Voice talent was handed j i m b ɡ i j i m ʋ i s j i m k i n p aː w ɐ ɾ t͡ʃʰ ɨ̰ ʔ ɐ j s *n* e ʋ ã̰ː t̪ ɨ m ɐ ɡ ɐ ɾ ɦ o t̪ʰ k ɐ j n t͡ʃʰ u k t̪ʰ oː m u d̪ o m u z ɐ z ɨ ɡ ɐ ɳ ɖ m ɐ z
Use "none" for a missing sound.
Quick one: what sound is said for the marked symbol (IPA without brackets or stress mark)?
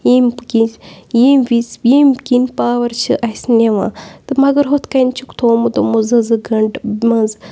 n